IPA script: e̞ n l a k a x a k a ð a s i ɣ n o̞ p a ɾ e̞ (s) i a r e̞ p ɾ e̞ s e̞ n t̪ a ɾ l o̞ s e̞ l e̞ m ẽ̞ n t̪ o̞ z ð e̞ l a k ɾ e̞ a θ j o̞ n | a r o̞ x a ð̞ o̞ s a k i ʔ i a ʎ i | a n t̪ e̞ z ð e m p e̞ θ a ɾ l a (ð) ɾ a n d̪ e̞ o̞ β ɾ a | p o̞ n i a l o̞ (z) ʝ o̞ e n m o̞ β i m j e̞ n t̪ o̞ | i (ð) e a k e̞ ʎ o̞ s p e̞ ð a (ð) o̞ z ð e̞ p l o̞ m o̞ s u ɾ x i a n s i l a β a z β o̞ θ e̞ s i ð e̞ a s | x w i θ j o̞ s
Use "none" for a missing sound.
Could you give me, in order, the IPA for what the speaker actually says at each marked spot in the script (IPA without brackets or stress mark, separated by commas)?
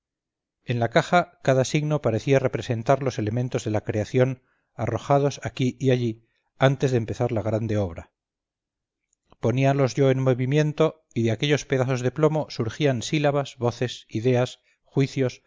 θ, ɣ, z, ð, θ